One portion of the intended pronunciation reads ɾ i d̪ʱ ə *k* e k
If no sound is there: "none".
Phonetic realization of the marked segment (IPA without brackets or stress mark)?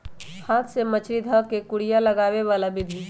k